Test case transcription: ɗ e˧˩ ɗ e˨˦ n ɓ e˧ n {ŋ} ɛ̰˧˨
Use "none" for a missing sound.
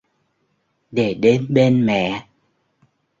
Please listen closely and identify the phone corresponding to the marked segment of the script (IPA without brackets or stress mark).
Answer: m